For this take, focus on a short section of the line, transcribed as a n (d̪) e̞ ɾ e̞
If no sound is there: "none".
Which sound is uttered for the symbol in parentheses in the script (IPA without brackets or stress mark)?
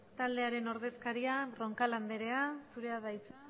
d̪